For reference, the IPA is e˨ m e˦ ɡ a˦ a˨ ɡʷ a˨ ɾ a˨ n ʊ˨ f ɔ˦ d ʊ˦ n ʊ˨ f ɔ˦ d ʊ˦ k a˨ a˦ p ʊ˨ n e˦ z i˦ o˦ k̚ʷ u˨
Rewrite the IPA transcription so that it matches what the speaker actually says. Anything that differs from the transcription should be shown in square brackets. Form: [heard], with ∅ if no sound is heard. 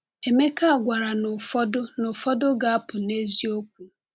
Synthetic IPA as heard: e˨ m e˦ [k] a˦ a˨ ɡʷ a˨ ɾ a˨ n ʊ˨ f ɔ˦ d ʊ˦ n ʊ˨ f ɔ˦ d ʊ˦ [ɡ] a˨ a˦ p ʊ˨ n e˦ z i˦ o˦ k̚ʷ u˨

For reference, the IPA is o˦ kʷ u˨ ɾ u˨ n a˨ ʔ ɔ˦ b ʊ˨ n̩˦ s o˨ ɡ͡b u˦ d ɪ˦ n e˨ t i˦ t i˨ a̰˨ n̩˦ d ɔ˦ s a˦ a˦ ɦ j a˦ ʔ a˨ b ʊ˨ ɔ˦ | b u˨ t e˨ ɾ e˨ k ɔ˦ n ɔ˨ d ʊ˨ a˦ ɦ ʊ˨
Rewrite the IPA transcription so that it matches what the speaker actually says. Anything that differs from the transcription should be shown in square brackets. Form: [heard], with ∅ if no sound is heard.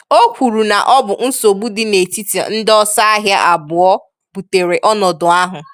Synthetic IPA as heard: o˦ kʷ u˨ ɾ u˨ n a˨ ʔ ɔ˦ b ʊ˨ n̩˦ s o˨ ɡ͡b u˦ d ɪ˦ n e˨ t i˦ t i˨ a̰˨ n̩˦ d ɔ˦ s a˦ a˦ ɦ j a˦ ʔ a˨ b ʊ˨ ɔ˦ | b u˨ t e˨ ɾ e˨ [ʔ] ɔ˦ n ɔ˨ d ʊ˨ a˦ ɦ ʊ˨

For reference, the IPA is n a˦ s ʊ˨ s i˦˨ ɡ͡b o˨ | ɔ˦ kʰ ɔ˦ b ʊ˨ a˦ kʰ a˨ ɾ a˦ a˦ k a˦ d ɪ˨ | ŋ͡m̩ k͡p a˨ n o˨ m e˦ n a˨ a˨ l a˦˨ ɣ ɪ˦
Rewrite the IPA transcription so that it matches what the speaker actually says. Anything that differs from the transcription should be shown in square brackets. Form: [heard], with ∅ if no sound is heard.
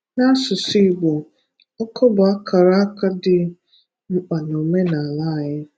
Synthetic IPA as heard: n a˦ s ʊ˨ s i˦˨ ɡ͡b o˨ | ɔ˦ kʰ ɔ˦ b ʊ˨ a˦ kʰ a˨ ɾ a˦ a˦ k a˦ d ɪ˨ | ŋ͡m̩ k͡p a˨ n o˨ m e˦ n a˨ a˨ l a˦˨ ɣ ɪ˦

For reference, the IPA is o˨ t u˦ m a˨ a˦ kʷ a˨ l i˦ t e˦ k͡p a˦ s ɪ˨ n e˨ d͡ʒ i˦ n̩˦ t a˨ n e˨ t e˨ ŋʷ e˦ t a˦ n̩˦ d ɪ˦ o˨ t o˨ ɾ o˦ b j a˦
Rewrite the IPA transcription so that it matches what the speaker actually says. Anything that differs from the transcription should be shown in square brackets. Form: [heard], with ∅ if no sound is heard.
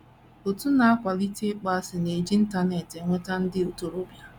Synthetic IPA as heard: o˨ t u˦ [n] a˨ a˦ kʷ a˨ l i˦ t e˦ k͡p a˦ s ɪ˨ n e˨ d͡ʒ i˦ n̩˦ t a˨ n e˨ t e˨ ŋʷ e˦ t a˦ n̩˦ d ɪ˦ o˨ t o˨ ɾ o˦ b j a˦

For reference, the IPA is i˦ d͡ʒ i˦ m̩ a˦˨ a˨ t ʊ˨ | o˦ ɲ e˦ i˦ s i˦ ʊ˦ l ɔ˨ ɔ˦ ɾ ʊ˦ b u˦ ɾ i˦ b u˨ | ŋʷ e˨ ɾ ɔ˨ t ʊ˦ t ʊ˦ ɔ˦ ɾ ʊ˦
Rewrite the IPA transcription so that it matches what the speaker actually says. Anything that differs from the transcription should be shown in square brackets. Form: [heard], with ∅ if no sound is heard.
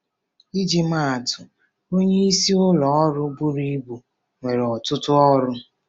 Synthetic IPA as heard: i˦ d͡ʒ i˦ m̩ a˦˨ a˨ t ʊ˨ | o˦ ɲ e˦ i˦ s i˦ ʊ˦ l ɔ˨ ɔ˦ ɾ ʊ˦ b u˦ ɾ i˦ b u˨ | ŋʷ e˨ ɾ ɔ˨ t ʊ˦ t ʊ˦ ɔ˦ ɾ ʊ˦

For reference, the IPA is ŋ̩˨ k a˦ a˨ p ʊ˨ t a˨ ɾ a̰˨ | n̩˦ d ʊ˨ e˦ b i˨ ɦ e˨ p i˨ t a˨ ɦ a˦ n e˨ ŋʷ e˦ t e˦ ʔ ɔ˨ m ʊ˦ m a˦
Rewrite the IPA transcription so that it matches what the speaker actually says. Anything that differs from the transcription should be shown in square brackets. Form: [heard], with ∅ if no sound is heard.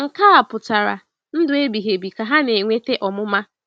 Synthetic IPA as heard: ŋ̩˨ k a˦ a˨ p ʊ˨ t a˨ ɾ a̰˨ | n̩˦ d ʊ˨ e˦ b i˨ ɦ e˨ [b] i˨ [k] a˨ ɦ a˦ n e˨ ŋʷ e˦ t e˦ ʔ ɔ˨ m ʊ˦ m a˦

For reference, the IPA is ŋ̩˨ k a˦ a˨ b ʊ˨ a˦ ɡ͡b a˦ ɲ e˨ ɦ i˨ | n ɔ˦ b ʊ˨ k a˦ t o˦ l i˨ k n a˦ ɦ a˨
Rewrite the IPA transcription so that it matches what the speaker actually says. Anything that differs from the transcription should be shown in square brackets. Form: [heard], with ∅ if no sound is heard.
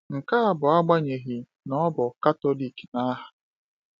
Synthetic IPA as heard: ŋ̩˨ k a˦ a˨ b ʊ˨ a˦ ɡ͡b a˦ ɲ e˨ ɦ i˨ | n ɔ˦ b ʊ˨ k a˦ t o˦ l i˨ k n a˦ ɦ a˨

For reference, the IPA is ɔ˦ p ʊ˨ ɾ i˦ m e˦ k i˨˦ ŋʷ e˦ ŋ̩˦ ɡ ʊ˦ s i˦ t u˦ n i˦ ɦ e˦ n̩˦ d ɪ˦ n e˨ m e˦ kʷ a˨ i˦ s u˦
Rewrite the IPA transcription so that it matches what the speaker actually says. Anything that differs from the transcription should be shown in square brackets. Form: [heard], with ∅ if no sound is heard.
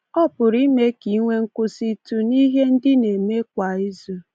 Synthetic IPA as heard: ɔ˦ p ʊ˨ ɾ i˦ m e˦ k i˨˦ ŋʷ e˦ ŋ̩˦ [k] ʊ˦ s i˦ t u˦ n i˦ ɦ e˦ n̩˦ d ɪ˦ n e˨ m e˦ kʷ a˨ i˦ [z] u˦

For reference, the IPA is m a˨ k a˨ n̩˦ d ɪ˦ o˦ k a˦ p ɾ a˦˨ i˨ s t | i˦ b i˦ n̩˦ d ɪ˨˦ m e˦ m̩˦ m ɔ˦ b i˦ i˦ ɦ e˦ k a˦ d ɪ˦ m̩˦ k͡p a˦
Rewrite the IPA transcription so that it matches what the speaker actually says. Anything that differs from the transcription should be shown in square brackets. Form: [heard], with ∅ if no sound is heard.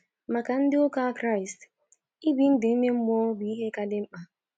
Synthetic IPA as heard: m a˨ k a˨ n̩˦ d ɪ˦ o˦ k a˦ [k] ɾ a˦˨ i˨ s t | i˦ b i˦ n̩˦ d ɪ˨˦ m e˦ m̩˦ m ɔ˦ b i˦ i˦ ɦ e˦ k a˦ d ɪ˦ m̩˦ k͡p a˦

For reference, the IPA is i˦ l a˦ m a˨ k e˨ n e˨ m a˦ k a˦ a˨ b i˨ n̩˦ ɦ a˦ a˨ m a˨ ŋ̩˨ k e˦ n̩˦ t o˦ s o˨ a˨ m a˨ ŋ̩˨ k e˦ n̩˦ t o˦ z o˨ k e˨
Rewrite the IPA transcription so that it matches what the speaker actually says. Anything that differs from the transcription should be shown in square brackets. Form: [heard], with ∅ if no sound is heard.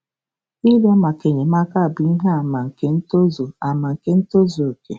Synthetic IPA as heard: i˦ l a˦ m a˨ k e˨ [ɲ] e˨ m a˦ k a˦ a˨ b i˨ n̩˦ ɦ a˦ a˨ m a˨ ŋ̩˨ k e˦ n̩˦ t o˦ [z] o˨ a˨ m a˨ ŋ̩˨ k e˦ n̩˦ t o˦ z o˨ k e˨

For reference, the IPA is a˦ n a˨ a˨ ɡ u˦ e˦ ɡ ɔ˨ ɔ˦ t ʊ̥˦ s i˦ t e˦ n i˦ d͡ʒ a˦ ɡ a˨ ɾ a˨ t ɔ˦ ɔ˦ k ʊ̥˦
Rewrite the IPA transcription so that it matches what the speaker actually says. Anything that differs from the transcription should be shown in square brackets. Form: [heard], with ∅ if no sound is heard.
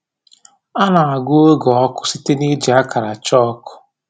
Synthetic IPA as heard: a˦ n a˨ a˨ ɡ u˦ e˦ ɡ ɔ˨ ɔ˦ [k] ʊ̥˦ s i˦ t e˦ n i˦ d͡ʒ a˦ [k] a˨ ɾ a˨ [t͡ʃ] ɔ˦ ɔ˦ k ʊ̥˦

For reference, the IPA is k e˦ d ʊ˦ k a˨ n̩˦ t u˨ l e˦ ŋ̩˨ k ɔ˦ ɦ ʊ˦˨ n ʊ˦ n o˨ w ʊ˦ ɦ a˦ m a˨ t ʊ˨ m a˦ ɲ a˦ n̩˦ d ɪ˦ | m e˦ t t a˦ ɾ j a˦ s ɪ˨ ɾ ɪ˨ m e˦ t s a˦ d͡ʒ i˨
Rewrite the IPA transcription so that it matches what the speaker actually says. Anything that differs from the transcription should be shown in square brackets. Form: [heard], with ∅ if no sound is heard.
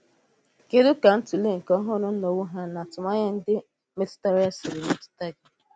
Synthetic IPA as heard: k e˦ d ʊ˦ k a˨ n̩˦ t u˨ l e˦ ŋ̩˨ k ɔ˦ ɦ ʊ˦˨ n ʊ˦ n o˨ w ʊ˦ ɦ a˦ [n] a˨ t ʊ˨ m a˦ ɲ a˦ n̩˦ d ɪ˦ | m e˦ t t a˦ ɾ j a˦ s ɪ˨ ɾ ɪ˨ m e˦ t [t] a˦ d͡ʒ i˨

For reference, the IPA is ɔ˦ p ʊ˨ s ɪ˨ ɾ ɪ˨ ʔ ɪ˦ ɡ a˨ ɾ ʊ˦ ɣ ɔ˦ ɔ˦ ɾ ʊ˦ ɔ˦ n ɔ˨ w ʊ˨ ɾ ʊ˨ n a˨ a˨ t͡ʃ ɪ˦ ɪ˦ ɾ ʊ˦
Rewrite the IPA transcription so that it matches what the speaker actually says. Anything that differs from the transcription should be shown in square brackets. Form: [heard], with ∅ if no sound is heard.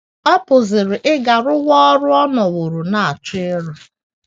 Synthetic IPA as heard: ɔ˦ p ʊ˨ [z] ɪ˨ ɾ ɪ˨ ʔ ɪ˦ ɡ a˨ ɾ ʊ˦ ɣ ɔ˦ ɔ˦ ɾ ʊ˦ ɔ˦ n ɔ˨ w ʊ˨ ɾ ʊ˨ n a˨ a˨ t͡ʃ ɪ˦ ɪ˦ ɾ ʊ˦

